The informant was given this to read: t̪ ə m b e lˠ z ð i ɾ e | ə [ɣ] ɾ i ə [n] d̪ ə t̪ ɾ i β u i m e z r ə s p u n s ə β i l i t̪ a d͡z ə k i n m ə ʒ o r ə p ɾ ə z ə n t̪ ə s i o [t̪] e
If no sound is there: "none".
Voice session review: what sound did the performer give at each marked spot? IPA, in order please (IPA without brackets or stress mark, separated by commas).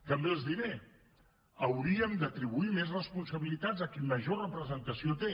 w, m, t̪